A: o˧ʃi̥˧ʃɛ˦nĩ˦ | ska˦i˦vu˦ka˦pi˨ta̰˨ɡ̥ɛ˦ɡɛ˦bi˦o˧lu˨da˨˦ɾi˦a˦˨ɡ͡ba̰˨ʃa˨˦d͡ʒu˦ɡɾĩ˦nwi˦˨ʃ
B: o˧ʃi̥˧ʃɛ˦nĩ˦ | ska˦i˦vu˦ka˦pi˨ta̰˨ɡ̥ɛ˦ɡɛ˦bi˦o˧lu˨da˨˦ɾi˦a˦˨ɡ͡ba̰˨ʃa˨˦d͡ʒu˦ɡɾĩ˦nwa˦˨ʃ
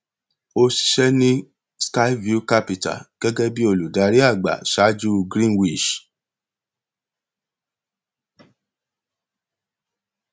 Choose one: A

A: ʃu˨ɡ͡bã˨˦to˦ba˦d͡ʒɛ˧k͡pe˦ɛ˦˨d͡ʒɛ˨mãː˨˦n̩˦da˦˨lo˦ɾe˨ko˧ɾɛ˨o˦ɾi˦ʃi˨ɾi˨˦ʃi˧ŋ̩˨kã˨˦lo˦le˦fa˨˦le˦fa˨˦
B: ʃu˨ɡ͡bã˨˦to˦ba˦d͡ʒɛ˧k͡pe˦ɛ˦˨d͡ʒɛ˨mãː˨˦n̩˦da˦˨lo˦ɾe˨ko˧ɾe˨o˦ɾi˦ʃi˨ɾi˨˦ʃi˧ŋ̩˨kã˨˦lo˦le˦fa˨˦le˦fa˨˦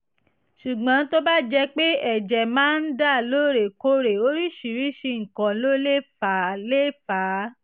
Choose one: B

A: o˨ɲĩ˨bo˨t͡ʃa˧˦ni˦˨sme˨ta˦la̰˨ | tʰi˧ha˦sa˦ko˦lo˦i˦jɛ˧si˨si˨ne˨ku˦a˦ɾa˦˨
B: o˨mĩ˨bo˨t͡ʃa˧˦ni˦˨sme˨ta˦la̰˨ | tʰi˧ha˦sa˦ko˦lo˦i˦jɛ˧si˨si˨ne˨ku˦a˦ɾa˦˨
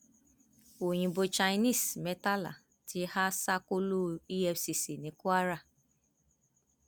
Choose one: A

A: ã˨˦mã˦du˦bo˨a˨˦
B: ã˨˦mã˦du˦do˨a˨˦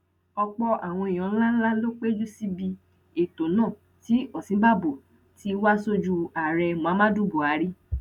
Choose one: A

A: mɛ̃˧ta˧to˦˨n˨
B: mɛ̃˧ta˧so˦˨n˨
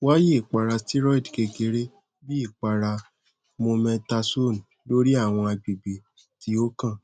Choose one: B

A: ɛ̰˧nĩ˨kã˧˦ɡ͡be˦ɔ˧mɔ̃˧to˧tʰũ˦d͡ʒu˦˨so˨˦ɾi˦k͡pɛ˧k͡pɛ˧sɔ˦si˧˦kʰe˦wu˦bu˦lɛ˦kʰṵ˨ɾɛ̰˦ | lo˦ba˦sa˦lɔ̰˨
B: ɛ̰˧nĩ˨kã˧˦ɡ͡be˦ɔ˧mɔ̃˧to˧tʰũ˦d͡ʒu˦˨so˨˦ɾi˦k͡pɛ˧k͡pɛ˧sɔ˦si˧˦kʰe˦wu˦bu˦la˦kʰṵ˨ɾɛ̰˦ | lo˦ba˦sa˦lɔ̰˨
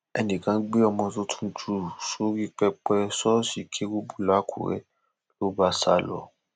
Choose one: B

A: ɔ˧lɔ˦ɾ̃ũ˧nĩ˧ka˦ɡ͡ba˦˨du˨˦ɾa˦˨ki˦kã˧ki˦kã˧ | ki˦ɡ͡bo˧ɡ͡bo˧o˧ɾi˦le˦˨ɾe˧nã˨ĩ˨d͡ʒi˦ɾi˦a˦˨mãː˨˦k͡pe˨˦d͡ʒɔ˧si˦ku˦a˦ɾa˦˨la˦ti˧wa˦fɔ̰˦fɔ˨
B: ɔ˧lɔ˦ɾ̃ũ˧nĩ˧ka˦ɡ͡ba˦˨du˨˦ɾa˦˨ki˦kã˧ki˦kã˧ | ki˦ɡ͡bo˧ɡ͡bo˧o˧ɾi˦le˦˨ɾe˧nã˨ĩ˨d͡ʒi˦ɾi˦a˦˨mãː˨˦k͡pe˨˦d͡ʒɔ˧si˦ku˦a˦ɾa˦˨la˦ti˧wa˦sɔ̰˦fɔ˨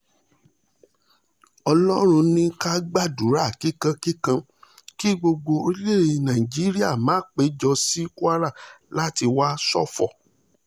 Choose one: B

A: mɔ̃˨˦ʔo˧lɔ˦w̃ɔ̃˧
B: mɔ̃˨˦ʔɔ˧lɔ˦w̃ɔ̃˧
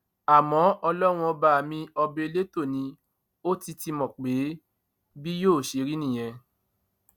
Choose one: B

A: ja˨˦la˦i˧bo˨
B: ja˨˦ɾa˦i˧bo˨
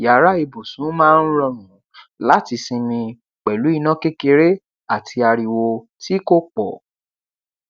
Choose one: B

